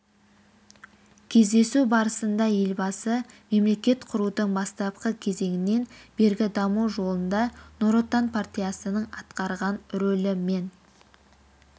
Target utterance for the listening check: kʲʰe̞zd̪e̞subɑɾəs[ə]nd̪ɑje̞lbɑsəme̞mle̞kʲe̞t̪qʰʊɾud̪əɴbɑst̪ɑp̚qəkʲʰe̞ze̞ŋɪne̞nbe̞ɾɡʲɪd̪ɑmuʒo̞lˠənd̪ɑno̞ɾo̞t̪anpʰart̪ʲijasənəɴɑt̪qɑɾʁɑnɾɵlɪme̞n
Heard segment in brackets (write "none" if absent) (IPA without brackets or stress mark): ə